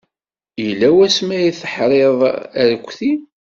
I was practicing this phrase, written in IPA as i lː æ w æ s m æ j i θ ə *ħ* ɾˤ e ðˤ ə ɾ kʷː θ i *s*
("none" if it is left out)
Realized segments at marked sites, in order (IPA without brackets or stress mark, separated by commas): ħ, none